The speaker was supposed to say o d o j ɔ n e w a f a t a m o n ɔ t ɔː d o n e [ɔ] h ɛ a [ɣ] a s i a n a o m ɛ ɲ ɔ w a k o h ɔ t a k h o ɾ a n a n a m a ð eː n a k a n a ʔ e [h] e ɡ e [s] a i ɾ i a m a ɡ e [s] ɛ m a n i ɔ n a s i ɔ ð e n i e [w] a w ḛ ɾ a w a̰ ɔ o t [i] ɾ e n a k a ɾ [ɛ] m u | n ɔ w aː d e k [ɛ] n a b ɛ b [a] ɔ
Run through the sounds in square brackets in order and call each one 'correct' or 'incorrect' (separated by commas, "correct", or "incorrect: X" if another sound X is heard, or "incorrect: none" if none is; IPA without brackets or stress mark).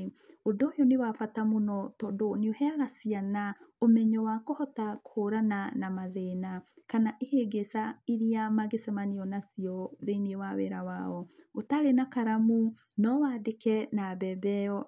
incorrect: o, correct, correct, correct, correct, correct, incorrect: a, incorrect: a, correct, incorrect: ɛ